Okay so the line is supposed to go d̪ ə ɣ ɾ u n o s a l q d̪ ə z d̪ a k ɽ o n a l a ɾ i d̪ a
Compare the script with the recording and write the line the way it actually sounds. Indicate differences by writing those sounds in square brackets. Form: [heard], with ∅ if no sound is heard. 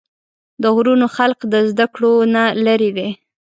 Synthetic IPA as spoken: d̪ ə ɣ ɾ u n o [x] a l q d̪ ə z d̪ a k ɽ o n a l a ɾ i d̪ [e]